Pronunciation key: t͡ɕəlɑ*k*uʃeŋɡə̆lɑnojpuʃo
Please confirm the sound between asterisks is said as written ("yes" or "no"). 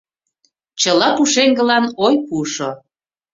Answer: no